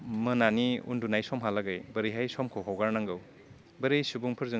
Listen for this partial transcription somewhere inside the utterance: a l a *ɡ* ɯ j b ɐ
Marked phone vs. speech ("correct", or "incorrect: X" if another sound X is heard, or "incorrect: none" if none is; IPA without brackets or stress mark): correct